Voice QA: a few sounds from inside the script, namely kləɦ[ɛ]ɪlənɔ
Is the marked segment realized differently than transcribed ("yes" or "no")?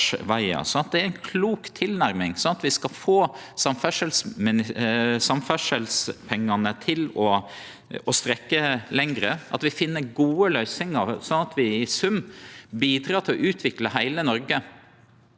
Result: yes